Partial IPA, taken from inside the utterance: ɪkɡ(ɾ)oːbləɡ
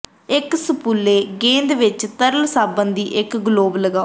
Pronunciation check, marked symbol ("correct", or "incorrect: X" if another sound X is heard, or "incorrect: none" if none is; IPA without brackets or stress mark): incorrect: l